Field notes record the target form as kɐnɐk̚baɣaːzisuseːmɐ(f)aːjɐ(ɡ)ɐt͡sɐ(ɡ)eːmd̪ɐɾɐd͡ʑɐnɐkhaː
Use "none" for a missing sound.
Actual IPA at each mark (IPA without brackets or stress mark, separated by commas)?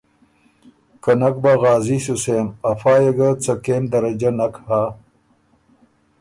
f, ɡ, k